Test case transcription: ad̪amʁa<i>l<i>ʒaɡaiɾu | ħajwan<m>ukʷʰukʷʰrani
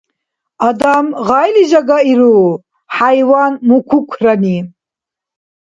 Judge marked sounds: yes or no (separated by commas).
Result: no, yes, yes